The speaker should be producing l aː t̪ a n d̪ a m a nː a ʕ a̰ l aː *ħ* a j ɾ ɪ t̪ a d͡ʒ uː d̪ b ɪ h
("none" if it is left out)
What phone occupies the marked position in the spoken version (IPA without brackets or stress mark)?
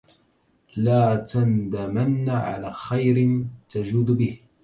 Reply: x